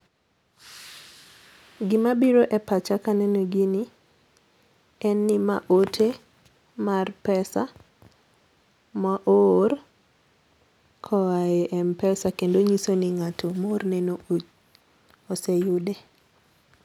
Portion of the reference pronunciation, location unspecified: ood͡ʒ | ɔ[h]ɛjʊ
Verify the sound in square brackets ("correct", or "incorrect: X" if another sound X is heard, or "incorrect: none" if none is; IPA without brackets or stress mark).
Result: incorrect: s